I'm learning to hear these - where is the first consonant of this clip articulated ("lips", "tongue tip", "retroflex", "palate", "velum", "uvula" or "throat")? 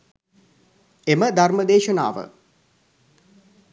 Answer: lips